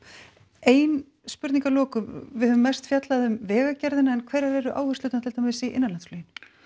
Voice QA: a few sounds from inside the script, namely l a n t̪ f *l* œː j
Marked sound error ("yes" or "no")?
no